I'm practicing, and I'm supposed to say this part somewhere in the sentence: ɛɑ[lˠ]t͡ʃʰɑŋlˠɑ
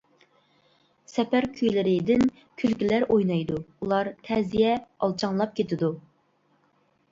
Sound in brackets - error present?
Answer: no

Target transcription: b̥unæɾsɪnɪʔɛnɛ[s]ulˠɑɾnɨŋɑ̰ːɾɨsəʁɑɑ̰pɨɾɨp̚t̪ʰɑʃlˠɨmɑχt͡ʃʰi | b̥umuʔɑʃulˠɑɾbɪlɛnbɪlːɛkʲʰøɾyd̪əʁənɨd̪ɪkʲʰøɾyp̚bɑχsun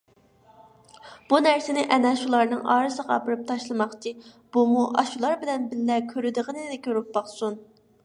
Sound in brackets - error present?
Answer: yes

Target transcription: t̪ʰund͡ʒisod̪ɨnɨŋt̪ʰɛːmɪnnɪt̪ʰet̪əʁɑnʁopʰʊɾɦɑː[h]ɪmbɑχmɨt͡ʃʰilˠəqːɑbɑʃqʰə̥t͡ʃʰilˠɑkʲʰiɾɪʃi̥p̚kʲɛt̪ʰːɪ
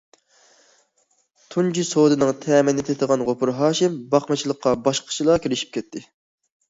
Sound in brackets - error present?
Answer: yes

